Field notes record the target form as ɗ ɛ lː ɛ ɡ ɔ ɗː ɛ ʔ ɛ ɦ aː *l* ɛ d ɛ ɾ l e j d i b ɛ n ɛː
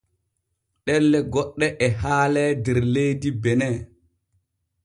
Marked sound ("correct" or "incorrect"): correct